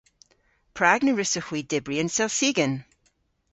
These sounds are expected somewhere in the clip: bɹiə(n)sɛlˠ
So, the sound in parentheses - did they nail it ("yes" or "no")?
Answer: yes